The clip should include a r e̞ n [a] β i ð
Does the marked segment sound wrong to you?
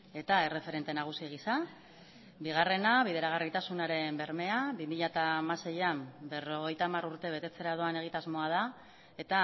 no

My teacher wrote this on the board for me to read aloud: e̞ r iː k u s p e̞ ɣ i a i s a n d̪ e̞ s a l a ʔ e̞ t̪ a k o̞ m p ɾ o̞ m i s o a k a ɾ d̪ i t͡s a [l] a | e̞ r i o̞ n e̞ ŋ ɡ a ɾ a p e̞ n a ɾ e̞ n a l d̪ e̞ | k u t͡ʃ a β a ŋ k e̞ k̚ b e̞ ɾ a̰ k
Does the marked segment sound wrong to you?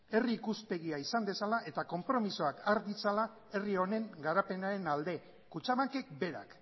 no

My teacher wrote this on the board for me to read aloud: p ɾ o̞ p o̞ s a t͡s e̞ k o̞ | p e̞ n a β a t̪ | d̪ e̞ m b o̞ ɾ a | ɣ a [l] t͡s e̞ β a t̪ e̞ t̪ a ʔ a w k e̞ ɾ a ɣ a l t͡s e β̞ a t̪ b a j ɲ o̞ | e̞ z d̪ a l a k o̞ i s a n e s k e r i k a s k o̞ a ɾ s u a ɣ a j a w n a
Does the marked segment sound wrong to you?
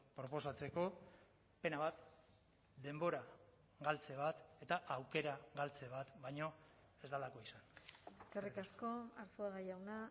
no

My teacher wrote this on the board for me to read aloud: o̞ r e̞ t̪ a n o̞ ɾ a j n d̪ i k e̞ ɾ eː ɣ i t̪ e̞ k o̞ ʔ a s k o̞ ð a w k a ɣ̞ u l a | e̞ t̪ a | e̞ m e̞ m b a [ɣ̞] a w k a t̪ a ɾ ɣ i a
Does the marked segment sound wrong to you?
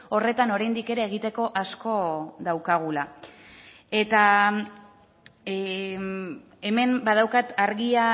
yes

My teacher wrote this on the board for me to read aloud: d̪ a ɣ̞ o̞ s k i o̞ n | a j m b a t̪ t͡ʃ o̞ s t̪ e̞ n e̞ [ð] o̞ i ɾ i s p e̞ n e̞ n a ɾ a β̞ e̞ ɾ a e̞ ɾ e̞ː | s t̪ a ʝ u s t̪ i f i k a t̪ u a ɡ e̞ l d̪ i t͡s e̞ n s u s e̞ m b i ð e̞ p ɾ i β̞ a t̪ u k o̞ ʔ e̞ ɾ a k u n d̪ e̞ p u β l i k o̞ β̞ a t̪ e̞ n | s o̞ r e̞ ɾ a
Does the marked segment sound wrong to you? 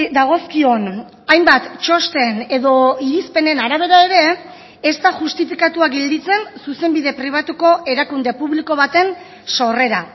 no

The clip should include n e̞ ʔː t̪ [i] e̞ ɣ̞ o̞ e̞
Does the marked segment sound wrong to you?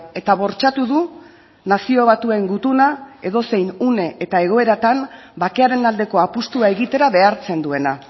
yes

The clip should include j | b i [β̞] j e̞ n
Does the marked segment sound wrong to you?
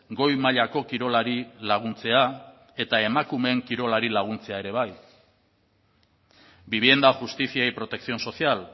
no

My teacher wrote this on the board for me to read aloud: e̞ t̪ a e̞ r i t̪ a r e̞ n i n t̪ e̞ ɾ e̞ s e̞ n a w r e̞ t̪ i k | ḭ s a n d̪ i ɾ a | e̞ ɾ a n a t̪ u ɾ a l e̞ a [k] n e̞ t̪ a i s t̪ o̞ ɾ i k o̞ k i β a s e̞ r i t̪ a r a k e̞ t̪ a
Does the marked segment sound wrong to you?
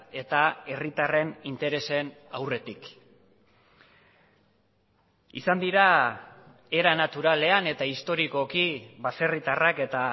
yes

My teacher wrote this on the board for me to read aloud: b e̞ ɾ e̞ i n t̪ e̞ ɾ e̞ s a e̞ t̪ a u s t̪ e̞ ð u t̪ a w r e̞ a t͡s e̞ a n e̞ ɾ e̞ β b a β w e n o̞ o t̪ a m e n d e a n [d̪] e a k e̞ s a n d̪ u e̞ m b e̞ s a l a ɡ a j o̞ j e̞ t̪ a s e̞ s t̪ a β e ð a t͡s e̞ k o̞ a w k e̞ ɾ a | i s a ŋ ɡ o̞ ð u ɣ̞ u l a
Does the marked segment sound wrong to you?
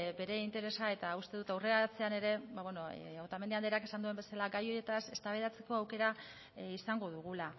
no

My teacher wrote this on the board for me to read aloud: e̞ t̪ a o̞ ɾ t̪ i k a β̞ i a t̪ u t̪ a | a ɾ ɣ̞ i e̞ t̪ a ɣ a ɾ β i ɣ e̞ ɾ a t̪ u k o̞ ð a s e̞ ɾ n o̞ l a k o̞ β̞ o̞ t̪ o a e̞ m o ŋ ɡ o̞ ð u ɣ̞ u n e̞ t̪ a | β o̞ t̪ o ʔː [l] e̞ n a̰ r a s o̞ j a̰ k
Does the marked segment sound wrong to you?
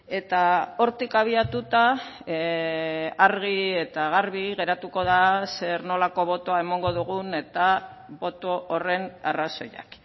yes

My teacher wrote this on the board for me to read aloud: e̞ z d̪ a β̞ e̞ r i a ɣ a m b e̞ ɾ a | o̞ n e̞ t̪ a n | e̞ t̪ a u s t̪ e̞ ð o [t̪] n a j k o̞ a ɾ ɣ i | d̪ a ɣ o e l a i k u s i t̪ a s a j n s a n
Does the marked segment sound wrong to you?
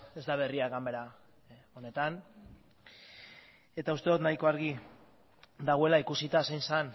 no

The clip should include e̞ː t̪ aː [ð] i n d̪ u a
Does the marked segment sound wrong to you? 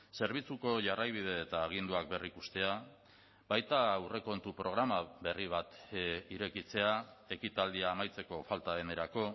yes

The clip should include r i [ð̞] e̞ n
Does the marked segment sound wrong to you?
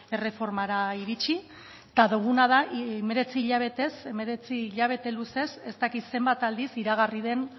no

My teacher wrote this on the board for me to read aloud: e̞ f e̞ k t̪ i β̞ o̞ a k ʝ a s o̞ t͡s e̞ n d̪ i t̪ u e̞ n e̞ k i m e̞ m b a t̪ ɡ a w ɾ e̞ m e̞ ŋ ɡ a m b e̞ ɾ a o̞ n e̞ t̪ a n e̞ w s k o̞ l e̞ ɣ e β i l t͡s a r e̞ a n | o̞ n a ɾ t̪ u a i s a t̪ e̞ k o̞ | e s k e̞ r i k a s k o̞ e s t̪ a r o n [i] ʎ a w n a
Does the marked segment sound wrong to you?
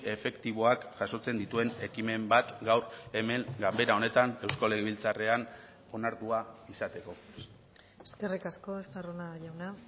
yes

